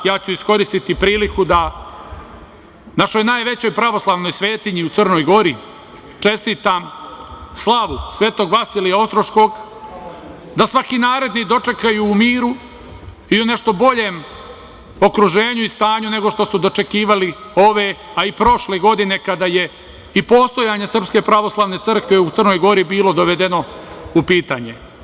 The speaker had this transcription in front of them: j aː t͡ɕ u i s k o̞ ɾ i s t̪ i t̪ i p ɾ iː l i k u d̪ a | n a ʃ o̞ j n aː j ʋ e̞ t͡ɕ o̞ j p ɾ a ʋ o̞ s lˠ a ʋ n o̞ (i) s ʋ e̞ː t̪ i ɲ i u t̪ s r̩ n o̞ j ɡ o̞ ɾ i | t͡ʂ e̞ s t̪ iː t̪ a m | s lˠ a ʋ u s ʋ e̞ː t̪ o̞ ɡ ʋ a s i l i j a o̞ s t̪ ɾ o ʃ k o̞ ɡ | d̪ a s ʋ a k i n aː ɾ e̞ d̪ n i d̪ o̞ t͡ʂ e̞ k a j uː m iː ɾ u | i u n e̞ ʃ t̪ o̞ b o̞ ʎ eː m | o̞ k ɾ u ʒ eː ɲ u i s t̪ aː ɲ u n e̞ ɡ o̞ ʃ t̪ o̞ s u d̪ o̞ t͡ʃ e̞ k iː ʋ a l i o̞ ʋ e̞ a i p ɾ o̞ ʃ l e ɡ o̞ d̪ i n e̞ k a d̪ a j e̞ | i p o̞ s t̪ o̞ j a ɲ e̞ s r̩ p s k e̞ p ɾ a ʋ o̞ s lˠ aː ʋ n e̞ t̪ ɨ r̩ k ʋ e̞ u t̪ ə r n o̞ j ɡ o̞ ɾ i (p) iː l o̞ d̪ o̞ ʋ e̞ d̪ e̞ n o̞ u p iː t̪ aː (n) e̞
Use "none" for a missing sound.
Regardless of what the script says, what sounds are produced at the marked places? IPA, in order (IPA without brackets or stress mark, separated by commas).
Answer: j, b, ɲ